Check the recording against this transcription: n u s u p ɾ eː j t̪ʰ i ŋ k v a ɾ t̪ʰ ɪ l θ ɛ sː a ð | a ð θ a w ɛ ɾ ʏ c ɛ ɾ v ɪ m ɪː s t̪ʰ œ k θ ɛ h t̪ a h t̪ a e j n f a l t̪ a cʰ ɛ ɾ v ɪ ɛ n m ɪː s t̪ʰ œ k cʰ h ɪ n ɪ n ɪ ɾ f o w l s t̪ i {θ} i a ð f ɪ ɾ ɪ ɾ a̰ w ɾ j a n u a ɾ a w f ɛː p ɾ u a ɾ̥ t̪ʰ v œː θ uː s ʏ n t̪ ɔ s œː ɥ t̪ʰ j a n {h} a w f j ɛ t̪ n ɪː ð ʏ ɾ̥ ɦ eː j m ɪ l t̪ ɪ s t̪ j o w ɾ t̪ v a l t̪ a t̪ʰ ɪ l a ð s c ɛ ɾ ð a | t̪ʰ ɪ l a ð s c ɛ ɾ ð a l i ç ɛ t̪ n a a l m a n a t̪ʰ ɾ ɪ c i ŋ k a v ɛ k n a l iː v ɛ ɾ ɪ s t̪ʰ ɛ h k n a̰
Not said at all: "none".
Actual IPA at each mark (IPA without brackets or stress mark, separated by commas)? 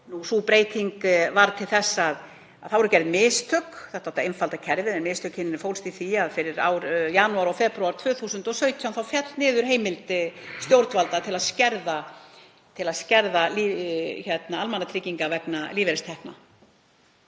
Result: θ, θ